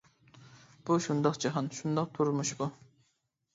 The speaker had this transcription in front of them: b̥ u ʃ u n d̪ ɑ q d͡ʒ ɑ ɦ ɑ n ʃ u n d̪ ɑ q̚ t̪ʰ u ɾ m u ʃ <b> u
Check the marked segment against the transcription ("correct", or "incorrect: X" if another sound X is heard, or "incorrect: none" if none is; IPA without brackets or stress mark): correct